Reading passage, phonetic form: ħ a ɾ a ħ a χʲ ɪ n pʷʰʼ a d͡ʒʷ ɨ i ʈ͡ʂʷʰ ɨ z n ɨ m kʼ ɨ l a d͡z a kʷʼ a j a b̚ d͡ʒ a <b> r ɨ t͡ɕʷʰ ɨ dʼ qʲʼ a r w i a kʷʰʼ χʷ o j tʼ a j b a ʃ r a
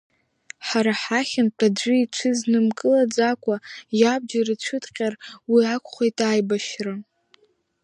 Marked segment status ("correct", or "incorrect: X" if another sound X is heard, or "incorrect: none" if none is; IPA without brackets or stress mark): incorrect: none